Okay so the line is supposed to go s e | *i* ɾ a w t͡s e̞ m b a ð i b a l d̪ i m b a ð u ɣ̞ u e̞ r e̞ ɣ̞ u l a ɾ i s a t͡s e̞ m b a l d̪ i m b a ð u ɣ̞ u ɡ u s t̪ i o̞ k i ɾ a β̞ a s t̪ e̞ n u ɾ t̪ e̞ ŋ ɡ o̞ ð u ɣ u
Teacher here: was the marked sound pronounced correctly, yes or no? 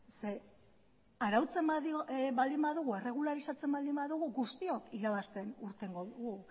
no